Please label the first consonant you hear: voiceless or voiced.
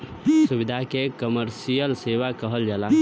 voiceless